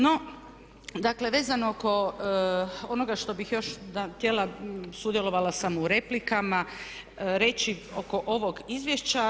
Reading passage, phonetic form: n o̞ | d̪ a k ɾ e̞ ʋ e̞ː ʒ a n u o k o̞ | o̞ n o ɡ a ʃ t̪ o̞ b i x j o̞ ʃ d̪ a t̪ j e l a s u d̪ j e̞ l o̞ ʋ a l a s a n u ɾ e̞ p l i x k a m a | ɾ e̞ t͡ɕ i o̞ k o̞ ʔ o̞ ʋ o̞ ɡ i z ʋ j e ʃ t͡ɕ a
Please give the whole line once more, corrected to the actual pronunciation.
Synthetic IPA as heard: n o̞ | d̪ a k l e̞ ʋ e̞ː z a n o o k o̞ | o̞ n o ɡ a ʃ t̪ o̞ b i x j o̞ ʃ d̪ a t̪ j e l a s u d̪ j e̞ l o̞ ʋ a l a s a m u ɾ e̞ p l i k a m a | ɾ e̞ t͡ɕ i o̞ k o̞ ʔ o̞ ʋ o̞ ɡ i z ʋ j e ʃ t͡ɕ a